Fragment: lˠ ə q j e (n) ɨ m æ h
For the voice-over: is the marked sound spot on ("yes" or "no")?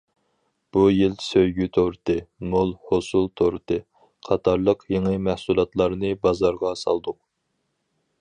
no